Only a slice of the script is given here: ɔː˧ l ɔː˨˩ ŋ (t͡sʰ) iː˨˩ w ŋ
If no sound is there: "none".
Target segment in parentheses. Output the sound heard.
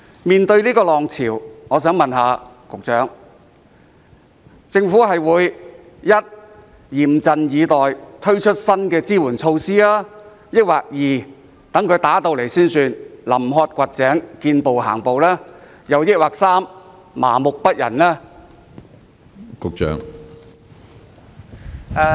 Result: t͡sʰ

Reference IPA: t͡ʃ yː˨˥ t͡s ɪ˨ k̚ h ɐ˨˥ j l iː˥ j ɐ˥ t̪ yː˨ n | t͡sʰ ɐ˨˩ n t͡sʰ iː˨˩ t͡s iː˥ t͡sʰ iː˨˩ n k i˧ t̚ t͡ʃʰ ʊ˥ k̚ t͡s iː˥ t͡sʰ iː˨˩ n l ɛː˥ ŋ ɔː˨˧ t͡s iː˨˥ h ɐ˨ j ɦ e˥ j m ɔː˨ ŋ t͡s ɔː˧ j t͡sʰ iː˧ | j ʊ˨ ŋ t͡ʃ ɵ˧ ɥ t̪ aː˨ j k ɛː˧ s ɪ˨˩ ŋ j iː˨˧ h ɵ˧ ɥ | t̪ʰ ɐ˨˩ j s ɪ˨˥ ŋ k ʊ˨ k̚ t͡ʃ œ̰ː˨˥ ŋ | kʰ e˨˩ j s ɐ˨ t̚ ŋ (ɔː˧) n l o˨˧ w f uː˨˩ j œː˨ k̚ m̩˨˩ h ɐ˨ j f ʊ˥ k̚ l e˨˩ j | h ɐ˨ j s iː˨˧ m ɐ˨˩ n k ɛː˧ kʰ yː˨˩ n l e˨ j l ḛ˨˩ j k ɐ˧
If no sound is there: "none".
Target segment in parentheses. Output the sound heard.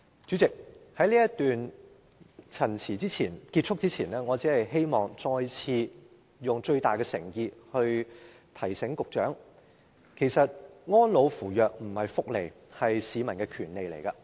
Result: ɔː˥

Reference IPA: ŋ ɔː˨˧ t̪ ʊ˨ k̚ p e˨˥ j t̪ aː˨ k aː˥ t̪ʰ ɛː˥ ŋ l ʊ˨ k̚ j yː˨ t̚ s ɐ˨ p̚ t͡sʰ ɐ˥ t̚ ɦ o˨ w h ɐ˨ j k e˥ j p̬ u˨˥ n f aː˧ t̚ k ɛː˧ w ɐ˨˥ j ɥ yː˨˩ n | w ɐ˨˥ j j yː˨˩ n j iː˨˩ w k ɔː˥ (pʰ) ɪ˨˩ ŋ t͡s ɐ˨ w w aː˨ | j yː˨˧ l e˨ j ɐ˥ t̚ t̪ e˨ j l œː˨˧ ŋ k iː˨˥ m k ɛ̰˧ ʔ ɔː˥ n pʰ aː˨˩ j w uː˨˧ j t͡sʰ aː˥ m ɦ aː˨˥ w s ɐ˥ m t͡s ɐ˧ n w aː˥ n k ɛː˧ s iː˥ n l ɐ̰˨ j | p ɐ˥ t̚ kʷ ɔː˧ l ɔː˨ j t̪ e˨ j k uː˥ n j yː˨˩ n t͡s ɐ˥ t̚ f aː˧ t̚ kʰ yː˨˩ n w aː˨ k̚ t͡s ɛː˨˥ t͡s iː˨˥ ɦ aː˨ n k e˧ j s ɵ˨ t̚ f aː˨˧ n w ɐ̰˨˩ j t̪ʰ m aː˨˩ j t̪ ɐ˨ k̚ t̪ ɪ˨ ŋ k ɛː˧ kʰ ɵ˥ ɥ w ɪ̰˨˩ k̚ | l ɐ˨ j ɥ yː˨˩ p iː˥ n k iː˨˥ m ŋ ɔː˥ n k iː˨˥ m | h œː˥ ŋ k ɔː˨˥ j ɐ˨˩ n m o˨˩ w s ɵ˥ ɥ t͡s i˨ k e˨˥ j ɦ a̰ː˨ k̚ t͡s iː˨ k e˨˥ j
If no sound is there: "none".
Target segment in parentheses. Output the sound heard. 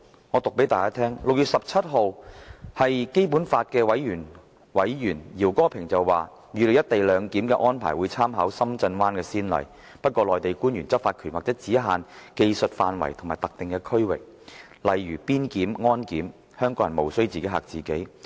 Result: pʰ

